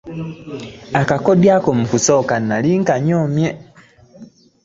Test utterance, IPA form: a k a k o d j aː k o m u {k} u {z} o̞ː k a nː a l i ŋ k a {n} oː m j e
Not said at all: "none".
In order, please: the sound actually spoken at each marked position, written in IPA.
k, s, ɲ

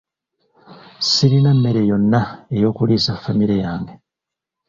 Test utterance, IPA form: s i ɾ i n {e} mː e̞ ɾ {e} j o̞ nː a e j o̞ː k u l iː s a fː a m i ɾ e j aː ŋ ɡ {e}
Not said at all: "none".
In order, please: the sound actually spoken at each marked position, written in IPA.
a, e, e

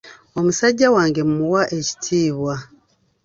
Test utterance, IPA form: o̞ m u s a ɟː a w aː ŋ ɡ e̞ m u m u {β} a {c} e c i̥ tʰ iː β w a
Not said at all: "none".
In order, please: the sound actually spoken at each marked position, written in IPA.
w, ʔ

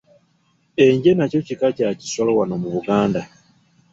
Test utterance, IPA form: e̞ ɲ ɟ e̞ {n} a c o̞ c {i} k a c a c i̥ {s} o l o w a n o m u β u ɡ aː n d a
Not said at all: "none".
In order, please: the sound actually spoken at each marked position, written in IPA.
n, i, s

